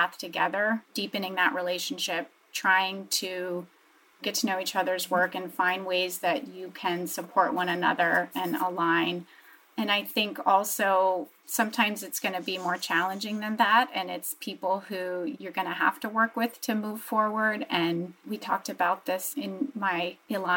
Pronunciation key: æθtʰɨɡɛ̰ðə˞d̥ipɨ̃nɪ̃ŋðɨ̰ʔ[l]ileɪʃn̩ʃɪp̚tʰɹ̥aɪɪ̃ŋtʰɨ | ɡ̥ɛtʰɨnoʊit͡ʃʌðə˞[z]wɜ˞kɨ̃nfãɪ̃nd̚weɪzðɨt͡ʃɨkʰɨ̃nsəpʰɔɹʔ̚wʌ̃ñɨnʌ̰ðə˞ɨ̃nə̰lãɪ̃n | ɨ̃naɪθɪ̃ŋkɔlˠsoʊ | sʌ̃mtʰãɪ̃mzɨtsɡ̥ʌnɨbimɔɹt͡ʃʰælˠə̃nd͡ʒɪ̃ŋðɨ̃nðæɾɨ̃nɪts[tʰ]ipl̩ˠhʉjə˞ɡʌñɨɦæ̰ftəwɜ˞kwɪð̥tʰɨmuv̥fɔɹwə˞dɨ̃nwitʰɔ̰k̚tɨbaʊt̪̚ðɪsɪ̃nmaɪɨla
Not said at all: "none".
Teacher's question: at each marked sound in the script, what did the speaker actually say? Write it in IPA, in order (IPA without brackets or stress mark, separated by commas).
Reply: ɹ, z, pʰ